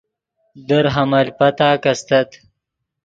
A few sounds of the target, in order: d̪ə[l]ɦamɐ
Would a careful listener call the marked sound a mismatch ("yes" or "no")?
yes